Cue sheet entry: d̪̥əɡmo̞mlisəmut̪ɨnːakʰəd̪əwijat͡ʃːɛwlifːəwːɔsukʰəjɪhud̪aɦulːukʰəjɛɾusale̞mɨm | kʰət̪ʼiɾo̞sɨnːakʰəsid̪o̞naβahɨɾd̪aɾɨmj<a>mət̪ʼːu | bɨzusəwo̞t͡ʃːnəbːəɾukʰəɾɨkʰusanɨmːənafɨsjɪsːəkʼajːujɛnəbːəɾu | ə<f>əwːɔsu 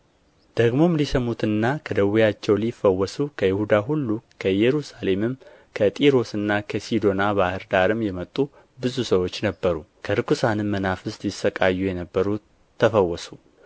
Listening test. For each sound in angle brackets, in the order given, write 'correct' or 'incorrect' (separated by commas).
incorrect, correct